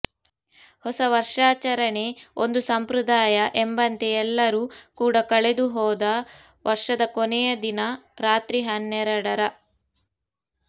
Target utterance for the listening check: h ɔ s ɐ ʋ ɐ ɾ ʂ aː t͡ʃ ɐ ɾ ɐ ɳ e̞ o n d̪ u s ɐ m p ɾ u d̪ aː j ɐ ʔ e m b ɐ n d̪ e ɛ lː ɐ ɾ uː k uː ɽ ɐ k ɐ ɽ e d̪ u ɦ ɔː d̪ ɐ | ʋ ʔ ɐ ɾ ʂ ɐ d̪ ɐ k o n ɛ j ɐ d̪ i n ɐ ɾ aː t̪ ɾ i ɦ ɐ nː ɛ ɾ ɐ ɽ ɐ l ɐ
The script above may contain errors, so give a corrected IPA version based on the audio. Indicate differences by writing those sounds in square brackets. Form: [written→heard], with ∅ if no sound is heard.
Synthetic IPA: h ɔ s ɐ ʋ ɐ ɾ ʂ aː t͡ʃ ɐ ɾ ɐ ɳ e̞ o n d̪ u s ɐ m p ɾ u d̪ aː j ɐ ʔ e m b ɐ n [d̪→t̪] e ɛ lː ɐ ɾ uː k uː ɽ ɐ k ɐ [ɽ→ɭ] e d̪ u ɦ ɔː d̪ ɐ | ʋ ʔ ɐ ɾ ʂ ɐ d̪ ɐ k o n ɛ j ɐ d̪ i n ɐ ɾ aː t̪ ɾ i ɦ ɐ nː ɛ ɾ ɐ ɽ ɐ [l→ɾ] ɐ